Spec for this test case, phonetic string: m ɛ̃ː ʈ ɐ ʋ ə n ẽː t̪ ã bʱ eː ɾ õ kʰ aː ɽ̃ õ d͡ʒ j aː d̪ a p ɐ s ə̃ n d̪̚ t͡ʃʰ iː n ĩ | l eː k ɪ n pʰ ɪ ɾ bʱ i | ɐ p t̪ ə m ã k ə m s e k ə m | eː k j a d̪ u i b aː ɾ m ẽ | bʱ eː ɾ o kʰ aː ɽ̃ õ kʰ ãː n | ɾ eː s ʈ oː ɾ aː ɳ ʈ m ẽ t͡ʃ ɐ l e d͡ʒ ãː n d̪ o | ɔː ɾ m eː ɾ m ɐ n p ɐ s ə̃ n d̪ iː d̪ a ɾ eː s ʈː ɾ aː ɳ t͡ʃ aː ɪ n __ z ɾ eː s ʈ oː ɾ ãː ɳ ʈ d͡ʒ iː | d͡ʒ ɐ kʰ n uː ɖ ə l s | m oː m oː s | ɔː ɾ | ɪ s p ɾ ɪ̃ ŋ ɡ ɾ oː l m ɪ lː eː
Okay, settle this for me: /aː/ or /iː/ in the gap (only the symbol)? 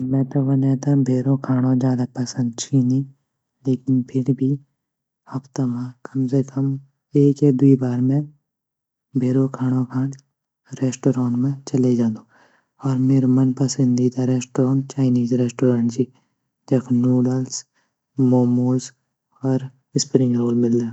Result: iː